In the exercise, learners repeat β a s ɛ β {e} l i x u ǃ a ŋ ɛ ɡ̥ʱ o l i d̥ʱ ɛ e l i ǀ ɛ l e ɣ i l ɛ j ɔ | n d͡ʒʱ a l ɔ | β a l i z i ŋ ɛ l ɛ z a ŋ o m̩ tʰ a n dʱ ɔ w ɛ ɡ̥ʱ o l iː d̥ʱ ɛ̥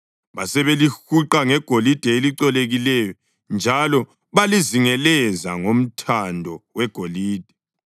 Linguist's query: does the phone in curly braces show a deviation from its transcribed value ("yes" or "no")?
no